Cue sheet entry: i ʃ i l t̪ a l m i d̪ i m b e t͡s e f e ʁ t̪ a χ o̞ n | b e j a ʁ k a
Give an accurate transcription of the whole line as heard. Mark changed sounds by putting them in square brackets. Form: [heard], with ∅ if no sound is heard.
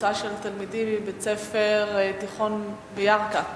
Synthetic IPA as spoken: [a] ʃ [e] l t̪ a l m i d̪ i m b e t͡s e f e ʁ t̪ [i] χ o̞ n | b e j a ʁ k a